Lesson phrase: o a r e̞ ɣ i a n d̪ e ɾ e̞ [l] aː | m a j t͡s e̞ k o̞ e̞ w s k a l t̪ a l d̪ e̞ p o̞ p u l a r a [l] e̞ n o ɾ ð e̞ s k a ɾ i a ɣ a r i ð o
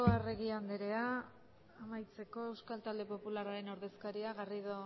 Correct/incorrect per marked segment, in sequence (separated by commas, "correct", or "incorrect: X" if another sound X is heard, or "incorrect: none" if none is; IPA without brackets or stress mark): incorrect: none, incorrect: ɾ